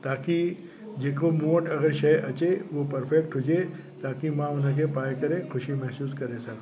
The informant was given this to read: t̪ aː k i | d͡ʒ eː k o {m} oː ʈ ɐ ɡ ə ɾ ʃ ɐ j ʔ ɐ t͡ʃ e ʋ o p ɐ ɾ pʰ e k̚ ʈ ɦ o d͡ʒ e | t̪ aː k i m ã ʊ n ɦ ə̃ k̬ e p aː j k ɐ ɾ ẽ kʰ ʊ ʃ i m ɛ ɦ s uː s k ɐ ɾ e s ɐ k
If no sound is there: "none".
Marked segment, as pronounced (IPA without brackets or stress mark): m